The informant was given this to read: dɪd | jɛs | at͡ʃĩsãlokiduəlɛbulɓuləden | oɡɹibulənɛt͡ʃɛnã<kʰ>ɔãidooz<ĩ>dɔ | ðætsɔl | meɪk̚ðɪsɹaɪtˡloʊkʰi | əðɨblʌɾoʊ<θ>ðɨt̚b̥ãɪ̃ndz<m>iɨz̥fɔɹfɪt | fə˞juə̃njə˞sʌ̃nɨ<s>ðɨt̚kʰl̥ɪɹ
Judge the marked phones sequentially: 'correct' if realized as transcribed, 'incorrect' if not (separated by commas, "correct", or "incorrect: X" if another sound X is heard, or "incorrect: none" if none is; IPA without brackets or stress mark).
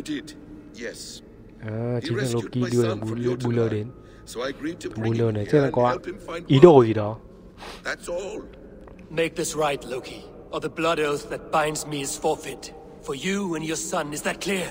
incorrect: k, incorrect: i, correct, correct, incorrect: z